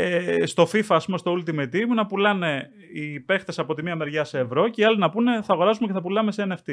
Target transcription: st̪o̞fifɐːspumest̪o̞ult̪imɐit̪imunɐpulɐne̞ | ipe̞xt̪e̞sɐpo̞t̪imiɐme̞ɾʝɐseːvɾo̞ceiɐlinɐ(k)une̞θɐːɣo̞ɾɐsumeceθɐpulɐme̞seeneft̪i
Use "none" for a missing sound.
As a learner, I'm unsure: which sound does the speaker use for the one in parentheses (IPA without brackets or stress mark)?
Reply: p